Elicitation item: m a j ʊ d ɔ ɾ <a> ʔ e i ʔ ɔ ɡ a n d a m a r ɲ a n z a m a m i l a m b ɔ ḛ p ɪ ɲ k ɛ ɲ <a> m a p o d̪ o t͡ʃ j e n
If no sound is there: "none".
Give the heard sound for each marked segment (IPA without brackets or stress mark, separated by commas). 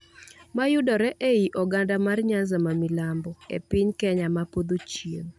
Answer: ɛ, a